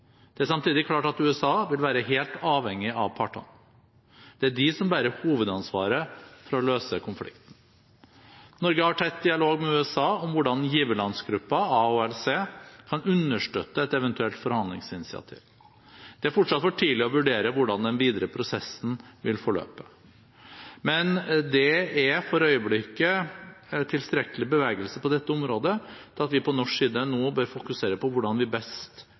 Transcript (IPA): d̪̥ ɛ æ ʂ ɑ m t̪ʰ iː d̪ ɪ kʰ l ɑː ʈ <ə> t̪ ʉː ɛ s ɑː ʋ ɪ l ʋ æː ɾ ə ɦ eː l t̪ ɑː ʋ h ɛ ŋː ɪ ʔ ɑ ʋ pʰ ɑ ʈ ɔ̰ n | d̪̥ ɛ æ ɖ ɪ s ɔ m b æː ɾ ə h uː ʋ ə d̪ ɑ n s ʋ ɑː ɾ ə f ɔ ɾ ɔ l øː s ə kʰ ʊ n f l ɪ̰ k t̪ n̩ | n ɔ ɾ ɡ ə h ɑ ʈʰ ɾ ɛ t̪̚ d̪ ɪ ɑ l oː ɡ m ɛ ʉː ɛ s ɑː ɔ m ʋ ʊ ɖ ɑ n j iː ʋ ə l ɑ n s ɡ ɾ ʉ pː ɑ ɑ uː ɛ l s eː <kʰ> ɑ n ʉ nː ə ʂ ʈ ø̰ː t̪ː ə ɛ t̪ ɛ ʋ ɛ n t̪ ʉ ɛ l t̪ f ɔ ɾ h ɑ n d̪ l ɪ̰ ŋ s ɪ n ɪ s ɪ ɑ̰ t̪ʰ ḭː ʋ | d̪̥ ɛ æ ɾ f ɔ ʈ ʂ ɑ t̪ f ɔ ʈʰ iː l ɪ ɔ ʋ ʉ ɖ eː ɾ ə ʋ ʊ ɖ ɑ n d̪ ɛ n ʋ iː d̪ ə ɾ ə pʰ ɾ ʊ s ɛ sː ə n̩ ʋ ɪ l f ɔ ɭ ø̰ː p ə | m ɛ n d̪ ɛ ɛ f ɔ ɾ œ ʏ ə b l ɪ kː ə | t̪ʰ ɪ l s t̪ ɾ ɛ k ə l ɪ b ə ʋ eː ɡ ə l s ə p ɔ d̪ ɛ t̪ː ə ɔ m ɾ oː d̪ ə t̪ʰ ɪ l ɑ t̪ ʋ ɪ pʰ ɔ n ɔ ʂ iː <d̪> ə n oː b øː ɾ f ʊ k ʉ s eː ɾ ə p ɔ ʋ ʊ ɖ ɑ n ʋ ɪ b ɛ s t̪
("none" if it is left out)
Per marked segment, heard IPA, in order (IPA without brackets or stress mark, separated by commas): ɑ, kʰ, d̪